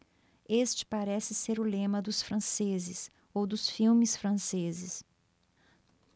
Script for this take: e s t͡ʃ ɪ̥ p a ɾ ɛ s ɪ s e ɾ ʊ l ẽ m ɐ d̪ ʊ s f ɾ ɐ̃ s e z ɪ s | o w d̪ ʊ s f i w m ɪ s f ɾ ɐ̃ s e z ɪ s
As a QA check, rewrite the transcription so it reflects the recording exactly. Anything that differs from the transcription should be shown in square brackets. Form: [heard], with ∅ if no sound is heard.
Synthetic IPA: e s t͡ʃ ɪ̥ p a ɾ ɛ s ɪ s e ɾ ʊ l ẽ m ɐ d̪ ʊ s f ɾ ɐ̃ s e z ɪ s | o w d̪ ʊ s f i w m ɪ s f ɾ ɐ̃ s e z ɪ s